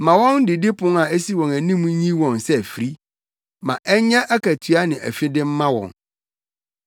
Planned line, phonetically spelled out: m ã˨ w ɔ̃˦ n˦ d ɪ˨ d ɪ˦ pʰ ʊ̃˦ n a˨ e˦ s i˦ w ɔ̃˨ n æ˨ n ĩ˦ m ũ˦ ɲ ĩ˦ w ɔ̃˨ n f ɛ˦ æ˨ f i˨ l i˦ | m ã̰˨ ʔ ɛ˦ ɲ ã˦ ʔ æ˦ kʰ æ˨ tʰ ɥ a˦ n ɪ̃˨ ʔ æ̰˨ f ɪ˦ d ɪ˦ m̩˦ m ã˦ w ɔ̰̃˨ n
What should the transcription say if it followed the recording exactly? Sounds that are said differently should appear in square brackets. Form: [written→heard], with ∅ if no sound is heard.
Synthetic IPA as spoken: m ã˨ w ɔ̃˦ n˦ d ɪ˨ d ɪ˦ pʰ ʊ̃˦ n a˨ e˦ s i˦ w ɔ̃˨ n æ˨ n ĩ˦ m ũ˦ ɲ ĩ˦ w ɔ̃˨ n [f→s] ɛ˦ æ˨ f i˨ [l→ɾ] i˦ | m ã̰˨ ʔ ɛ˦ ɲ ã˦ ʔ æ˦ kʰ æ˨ tʰ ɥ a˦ n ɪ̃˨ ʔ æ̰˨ f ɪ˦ d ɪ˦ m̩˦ m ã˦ w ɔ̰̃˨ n